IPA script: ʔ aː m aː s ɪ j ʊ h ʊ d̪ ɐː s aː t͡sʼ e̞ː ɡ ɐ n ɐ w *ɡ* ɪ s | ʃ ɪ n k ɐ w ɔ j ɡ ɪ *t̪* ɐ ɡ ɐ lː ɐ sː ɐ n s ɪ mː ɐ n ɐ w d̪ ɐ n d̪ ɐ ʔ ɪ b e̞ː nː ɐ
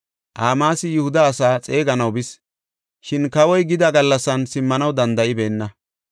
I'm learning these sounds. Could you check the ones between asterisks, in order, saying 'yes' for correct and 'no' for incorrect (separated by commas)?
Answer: no, no